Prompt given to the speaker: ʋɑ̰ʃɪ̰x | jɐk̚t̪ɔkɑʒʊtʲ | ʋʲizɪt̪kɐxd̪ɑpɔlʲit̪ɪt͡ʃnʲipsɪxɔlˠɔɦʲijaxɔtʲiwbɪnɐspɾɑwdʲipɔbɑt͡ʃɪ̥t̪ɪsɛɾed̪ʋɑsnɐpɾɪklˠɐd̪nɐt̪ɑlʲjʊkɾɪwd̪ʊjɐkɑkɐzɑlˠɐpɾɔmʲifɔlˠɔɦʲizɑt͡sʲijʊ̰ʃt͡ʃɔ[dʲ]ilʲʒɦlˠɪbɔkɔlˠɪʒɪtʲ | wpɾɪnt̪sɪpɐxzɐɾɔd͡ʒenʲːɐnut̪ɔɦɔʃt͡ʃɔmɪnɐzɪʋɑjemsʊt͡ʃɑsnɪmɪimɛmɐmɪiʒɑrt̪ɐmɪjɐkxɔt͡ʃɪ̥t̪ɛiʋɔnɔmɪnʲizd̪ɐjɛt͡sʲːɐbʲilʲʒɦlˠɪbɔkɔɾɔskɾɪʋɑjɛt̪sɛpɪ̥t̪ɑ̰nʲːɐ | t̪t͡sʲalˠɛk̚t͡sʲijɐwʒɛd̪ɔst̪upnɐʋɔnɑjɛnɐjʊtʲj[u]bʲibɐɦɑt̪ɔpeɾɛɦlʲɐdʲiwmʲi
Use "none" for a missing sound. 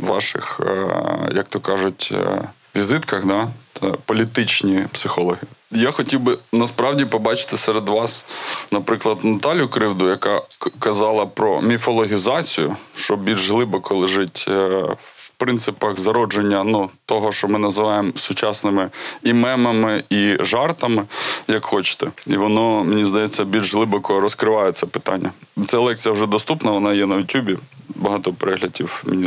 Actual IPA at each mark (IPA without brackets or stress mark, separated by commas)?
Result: bʲ, u